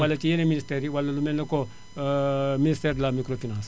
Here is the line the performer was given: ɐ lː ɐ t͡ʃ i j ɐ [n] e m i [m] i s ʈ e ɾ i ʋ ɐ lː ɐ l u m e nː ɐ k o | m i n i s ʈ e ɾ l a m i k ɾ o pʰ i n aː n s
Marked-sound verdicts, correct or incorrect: correct, incorrect: n

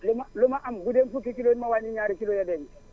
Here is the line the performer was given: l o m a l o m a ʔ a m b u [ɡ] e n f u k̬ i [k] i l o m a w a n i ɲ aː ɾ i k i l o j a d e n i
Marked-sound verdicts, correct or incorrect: incorrect: d, correct

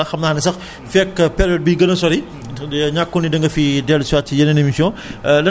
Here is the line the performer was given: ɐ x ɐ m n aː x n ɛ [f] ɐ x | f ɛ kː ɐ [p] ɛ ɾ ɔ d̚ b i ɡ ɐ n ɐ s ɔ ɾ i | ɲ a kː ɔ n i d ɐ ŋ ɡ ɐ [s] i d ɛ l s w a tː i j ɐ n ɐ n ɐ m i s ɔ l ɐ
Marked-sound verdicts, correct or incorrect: incorrect: s, correct, incorrect: f

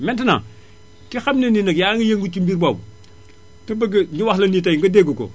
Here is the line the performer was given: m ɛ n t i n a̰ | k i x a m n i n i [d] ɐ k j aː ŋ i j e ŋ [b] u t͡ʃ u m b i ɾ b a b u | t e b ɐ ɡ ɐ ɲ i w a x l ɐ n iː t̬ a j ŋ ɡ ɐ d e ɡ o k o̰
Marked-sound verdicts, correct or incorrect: incorrect: n, incorrect: ɡ

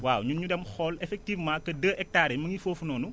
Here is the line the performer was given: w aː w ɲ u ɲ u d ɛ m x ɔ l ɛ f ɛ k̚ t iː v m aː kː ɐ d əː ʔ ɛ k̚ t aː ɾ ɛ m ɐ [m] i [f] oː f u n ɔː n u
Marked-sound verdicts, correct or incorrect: incorrect: ŋ, correct

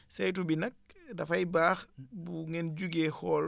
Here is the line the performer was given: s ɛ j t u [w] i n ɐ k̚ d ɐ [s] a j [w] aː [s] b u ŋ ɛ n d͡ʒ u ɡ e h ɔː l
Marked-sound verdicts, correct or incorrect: incorrect: b, incorrect: f, incorrect: b, incorrect: x

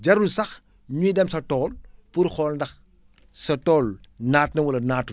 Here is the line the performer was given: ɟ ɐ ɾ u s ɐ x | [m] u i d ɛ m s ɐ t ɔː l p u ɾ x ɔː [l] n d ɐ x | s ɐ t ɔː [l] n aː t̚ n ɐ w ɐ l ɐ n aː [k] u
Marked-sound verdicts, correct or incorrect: incorrect: ɲ, correct, correct, incorrect: t

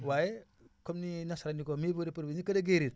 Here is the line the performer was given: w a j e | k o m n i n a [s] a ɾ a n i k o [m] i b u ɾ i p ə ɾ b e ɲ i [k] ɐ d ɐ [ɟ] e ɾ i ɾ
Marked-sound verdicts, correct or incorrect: correct, correct, correct, incorrect: ɡ

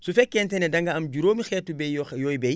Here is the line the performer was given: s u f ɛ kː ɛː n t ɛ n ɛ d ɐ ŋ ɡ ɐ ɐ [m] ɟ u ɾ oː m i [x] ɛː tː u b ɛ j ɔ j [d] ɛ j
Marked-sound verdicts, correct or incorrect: correct, correct, incorrect: b

